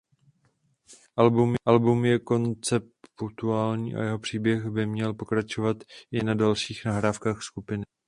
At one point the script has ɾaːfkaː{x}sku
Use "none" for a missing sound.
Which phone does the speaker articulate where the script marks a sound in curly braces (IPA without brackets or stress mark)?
x